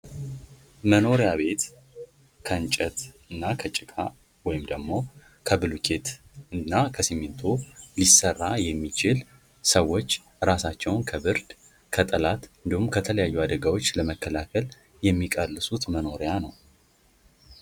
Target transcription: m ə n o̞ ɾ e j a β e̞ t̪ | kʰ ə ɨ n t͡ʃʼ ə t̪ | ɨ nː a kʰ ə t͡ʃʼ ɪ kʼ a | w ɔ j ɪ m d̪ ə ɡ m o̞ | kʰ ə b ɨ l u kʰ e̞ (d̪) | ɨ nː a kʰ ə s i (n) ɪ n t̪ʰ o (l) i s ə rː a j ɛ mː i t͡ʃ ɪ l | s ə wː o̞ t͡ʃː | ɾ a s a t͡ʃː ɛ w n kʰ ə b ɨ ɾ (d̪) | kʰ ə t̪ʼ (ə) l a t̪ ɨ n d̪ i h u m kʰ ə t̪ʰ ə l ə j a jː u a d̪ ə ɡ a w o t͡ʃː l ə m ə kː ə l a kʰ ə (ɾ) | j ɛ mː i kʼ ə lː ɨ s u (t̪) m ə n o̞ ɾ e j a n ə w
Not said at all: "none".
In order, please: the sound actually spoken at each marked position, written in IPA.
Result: t̪, m, l, d̪, ə, l, t̪

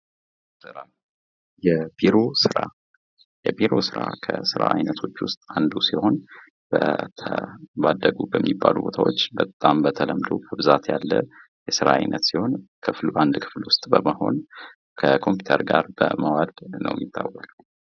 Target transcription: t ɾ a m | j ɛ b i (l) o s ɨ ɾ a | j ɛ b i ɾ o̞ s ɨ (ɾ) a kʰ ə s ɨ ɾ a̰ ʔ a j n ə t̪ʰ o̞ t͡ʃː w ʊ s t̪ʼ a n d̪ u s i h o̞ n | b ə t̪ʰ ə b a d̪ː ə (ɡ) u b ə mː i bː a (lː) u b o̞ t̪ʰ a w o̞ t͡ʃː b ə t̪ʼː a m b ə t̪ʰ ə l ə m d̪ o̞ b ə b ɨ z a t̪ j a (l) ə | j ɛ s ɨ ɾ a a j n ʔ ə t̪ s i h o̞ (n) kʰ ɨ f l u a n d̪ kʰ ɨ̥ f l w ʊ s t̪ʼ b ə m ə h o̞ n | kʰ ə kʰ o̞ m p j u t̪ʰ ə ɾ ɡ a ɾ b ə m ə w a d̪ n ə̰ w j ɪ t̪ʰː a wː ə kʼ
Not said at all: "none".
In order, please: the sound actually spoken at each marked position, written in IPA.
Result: ɾ, ɾ, ɡ, l, lː, n

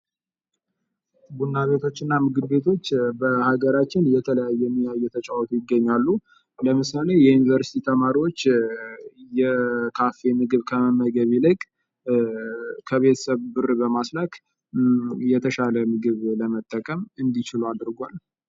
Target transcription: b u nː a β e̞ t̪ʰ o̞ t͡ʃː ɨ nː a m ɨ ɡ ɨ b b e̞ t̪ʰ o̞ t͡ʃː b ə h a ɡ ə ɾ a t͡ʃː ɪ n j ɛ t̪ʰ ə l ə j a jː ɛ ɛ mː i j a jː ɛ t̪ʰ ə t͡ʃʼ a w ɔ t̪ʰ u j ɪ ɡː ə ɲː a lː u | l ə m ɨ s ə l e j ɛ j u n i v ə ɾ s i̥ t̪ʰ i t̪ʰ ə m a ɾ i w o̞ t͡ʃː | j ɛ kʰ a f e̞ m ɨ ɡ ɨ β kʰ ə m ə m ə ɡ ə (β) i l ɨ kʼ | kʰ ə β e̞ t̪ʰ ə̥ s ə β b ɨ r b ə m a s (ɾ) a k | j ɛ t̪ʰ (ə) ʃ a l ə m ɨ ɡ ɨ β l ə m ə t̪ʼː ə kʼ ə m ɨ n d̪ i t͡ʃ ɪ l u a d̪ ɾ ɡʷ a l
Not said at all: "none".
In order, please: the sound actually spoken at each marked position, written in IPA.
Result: β, l, ə

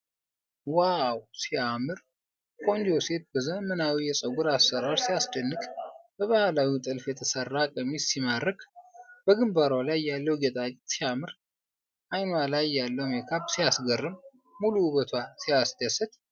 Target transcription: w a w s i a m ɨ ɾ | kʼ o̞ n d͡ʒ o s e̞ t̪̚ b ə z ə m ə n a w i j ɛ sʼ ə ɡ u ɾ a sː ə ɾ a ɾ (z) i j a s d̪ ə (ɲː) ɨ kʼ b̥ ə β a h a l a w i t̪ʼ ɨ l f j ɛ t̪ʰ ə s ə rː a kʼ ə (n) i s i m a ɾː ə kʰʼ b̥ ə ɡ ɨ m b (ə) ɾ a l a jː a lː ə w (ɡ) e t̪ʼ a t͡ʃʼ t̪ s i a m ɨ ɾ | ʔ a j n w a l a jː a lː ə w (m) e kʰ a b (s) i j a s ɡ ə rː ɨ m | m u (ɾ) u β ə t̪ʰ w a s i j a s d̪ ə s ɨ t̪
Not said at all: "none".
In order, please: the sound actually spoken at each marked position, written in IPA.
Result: s, nː, m, a, ɡ, m, s, l

